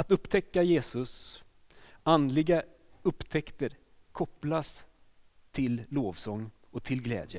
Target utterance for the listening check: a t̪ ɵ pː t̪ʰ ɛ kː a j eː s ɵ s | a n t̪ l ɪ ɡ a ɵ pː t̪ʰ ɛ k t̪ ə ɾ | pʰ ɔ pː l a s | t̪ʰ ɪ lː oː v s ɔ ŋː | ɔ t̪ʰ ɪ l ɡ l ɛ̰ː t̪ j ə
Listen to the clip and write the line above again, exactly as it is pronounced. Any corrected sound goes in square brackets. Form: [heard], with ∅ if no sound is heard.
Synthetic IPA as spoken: a t̪ ɵ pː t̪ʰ ɛ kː a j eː s ɵ s | a n [d̪] l ɪ ɡ a ɵ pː t̪ʰ ɛ k t̪ ə ɾ | [kʰ] ɔ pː l a s | t̪ʰ ɪ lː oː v s ɔ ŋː | ɔ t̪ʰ ɪ l ɡ l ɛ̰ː [d̪] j ə